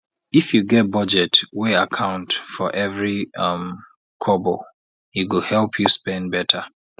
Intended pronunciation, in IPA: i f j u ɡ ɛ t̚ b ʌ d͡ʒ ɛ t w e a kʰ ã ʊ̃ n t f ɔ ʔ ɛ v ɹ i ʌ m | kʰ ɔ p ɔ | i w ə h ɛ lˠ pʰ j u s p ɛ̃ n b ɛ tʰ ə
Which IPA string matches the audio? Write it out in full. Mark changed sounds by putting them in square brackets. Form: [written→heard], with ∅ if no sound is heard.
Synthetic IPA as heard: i f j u ɡ ɛ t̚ b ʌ d͡ʒ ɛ t w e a kʰ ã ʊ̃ n t f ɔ ʔ ɛ v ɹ i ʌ m | kʰ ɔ [p→b] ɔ | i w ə h ɛ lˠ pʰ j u s p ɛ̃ n b ɛ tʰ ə